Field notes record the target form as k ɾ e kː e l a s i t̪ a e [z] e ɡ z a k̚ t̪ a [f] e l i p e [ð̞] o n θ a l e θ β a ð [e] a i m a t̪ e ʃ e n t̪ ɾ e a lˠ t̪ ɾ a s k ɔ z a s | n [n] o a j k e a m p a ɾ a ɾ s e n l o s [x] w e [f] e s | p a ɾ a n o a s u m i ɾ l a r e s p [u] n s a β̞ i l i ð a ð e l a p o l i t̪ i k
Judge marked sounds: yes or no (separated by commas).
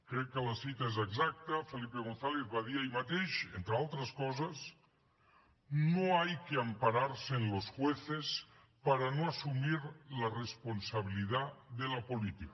yes, yes, no, no, yes, yes, no, no